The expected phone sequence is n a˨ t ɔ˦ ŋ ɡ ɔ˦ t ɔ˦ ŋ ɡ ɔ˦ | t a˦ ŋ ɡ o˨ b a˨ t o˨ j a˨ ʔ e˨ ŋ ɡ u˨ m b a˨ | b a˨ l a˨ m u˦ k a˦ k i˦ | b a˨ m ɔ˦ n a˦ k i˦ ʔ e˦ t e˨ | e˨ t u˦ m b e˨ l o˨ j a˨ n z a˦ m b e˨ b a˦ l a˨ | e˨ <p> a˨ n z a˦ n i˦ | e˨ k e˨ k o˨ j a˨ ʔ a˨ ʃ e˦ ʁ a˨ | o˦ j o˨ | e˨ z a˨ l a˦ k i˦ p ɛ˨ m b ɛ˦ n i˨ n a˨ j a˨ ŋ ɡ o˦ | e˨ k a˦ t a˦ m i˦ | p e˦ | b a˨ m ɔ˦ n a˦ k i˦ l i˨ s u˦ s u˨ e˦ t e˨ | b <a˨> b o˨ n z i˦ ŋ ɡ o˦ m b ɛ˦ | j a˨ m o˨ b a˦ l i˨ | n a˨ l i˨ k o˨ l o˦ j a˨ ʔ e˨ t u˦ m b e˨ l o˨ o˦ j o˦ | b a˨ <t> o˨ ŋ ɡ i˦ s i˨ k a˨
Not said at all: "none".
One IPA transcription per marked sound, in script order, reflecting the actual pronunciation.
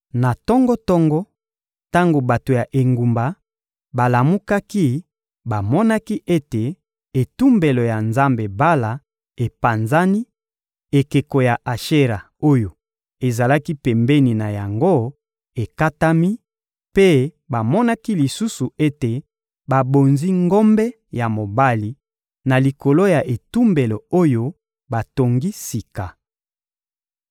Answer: p, a˨, t

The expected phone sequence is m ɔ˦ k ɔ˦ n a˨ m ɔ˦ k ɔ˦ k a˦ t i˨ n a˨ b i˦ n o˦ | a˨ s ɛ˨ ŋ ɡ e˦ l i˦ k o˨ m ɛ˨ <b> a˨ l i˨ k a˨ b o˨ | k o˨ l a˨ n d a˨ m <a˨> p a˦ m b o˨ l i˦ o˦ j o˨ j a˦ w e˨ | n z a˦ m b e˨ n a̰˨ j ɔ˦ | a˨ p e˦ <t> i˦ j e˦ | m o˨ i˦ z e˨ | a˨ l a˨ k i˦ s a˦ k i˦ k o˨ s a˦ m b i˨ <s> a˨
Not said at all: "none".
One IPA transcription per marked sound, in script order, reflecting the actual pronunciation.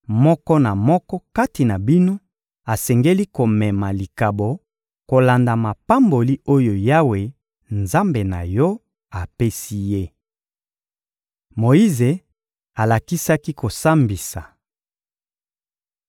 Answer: m, a˨, s, s

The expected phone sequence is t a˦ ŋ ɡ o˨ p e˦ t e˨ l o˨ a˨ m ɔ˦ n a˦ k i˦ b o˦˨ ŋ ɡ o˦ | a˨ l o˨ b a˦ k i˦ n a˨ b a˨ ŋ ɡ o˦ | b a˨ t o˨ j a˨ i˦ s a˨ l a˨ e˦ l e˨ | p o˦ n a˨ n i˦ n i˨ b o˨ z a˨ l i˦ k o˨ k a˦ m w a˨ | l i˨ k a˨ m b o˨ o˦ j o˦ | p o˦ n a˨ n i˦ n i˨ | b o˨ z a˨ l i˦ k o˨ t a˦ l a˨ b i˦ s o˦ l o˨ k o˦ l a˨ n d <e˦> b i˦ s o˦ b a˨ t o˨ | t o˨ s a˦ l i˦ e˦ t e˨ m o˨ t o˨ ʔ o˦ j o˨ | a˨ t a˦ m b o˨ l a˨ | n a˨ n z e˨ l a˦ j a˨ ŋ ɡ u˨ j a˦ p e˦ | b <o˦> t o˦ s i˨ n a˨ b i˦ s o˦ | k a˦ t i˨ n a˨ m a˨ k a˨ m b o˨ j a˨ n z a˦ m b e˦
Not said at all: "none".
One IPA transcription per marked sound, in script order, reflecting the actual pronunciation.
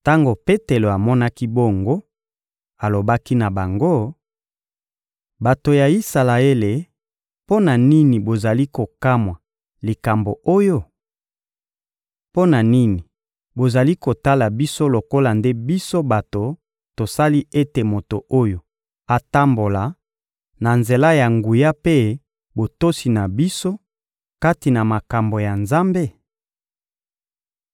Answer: e˦, o˨

